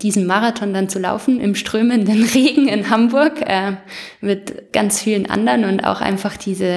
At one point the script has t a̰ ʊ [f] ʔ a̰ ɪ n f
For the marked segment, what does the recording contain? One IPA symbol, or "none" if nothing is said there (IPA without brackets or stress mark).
x